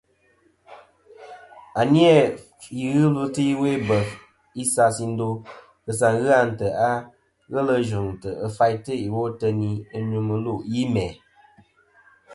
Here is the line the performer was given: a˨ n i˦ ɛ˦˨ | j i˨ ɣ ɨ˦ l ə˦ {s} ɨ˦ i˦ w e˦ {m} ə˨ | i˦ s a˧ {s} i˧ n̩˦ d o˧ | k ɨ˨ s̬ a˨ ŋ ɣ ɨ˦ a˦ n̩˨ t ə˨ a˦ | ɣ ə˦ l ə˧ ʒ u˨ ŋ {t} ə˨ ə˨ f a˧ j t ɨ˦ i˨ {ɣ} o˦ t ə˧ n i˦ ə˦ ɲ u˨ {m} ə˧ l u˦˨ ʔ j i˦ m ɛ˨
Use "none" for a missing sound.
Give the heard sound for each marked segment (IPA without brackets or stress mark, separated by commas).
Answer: t, b, s, t, w, m